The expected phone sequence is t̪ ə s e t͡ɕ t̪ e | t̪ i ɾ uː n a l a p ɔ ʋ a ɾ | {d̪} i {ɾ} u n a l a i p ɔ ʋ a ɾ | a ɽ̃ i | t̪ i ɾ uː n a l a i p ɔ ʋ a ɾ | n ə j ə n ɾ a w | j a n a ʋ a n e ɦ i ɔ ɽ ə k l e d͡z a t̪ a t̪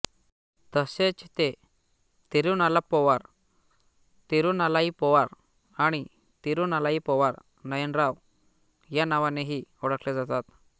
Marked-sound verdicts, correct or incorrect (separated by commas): incorrect, correct